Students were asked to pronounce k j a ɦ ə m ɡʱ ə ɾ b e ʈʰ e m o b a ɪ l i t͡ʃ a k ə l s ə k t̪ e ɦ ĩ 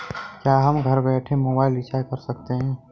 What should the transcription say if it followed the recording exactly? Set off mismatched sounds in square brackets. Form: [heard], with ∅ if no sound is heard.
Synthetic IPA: k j a ɦ ə m ɡʱ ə ɾ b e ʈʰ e m o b a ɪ l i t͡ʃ a k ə [ɾ] s ə k t̪ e ɦ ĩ

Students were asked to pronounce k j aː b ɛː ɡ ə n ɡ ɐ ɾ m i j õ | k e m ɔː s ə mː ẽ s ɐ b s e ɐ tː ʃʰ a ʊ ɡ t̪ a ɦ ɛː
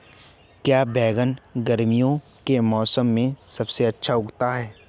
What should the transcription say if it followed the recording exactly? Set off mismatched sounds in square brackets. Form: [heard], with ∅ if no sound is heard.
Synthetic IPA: k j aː b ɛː ɡ ə n ɡ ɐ ɾ m i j õ | k e m ɔː s ə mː ẽ s ɐ b s e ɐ tː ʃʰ a ʊ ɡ t̪ a ɦ ɛː

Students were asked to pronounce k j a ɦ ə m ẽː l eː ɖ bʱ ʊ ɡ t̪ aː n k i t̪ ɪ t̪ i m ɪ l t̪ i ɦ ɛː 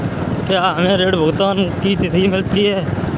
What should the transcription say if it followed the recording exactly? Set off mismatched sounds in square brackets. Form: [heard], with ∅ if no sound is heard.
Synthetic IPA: k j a ɦ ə m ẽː [ɾ] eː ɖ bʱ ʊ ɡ t̪ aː n k i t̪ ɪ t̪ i m ɪ l t̪ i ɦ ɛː

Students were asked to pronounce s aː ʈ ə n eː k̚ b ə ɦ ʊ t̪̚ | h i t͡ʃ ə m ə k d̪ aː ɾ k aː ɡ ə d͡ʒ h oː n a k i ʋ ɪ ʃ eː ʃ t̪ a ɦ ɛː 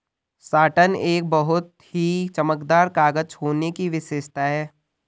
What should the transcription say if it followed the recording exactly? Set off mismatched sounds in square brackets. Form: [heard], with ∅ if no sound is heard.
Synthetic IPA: s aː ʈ ə n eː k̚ b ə ɦ ʊ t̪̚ | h i t͡ʃ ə m ə k d̪ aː ɾ k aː ɡ ə d͡ʒ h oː n [e] k i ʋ ɪ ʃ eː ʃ t̪ a ɦ ɛː

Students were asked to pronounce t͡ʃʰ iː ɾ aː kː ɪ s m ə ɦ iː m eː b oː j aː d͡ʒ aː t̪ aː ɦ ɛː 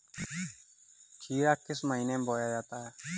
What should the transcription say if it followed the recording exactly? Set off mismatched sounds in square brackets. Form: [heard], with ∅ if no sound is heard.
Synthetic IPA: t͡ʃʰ iː ɾ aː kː ɪ s m ə ɦ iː [n] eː b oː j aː d͡ʒ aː t̪ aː ɦ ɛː

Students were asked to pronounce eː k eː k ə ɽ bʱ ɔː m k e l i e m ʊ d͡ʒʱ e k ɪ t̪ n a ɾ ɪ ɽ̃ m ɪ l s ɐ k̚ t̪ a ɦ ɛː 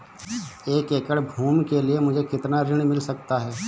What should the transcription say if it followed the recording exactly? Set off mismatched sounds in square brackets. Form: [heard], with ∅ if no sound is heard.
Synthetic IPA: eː k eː k ə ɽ bʱ [uː] m k e l i e m ʊ d͡ʒʱ e k ɪ t̪ n a ɾ ɪ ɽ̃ m ɪ l s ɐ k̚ t̪ a ɦ ɛː

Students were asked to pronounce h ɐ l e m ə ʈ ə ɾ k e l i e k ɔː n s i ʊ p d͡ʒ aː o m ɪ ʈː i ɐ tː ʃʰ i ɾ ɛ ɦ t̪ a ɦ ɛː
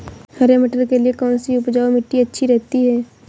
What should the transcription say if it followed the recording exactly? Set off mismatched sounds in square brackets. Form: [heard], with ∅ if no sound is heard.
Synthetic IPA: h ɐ [ɾ] e m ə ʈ ə ɾ k e l i e k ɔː n s i ʊ p d͡ʒ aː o m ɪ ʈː i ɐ tː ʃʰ i ɾ ɛ ɦ t̪ [i] ɦ ɛː

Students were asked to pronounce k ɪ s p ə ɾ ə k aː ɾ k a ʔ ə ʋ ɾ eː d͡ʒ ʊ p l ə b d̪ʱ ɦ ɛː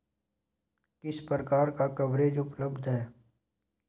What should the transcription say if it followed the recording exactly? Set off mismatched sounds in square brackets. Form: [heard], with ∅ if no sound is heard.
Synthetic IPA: k ɪ s p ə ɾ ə k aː ɾ k a [k] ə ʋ ɾ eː d͡ʒ ʊ p l ə b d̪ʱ ɦ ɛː

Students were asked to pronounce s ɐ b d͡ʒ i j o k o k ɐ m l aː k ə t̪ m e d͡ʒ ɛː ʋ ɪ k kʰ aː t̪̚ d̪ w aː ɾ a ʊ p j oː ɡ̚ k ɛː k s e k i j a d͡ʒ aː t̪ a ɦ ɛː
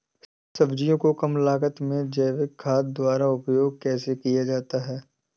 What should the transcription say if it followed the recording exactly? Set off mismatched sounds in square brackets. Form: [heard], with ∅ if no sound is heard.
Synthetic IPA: s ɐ b d͡ʒ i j [õ] k o k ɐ m l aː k ə t̪ m [ẽ] d͡ʒ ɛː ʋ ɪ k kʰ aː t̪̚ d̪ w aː ɾ a ʊ p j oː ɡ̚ k ɛː [∅] s e k i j a d͡ʒ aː t̪ a ɦ ɛː

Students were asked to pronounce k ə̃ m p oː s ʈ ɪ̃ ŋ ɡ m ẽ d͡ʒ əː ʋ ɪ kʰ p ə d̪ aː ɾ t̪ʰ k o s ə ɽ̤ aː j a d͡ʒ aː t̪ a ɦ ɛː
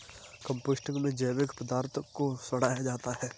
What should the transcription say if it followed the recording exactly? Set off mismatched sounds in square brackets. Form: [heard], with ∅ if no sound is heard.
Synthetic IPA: k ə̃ m p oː s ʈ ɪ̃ ŋ ɡ m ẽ d͡ʒ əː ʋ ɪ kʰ p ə d̪ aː ɾ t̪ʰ k o s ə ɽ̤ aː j a d͡ʒ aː t̪ a ɦ ɛː

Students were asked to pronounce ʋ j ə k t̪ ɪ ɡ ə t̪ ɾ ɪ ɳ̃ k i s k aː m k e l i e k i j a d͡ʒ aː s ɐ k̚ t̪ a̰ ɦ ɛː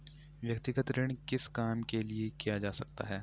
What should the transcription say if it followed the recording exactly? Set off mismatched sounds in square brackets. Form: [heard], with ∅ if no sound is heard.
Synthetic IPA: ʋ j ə k t̪ ɪ ɡ ə t̪ ɾ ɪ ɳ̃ k [ɪ] s k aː m k e l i e k i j a d͡ʒ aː s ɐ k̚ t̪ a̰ ɦ ɛː

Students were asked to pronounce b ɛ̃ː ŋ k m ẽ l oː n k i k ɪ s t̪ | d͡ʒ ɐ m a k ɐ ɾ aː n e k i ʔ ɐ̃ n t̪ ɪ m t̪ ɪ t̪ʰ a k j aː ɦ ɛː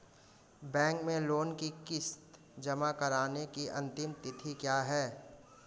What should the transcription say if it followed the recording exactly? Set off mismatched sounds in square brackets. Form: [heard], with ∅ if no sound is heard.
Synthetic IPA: b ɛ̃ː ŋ k m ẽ l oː n k i k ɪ s t̪ | d͡ʒ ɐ m a k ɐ ɾ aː n e k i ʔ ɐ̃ n t̪ ɪ m t̪ ɪ t̪ʰ [i] k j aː ɦ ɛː

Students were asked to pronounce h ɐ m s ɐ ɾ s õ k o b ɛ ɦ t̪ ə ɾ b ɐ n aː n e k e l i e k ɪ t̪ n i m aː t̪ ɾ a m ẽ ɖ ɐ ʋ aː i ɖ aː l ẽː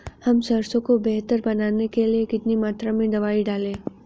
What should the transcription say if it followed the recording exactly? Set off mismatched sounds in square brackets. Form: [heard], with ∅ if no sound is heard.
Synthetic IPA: h ɐ m s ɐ ɾ s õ k o b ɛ ɦ t̪ ə ɾ b ɐ n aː n e k e l i e k ɪ t̪ n i m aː t̪ ɾ a m ẽ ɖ ɐ ʋ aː i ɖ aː l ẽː

